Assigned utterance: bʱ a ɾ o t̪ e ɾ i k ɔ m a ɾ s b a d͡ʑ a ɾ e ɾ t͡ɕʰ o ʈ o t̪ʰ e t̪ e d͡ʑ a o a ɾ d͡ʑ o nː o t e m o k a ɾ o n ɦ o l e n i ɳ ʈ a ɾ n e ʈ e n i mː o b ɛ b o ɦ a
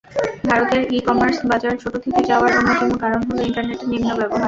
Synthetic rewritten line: bʱ a ɾ o t̪ e ɾ i k ɔ m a ɾ s b a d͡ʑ a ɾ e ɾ t͡ɕʰ o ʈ o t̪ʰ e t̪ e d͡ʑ a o a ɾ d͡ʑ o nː o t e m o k a ɾ o n ɦ o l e i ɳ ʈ a ɾ n e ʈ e n i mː o b ɛ b o ɦ a